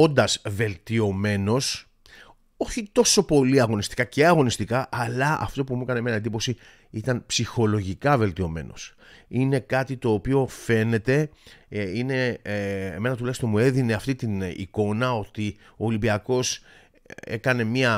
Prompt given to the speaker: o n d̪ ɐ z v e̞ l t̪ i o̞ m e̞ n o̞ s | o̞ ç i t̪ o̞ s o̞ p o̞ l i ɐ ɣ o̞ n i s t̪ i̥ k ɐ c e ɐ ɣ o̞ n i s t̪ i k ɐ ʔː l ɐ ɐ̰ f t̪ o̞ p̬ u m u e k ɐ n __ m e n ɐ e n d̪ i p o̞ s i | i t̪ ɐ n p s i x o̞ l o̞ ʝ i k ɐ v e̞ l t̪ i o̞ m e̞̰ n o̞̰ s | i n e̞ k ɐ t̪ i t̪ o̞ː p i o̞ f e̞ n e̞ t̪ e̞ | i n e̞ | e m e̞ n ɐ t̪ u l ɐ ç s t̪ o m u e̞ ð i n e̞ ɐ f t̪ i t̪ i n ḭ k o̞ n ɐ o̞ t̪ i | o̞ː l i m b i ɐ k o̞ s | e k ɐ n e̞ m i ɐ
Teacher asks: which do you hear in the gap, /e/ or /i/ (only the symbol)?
e